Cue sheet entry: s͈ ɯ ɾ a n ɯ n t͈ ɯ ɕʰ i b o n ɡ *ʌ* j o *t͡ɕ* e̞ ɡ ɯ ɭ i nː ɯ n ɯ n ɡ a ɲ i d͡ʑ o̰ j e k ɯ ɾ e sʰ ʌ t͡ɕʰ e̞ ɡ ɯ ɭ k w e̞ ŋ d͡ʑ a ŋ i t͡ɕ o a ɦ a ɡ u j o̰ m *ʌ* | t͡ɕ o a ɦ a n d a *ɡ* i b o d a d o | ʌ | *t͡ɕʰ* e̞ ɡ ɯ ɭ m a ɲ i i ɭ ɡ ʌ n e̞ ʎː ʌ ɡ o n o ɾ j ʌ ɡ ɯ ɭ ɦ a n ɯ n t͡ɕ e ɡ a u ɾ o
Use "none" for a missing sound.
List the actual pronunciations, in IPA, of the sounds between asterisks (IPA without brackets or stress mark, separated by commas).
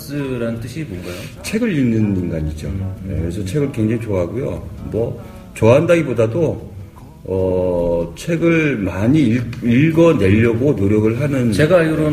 a, t͡ɕʰ, ʌ, ɡ, t͡ɕʰ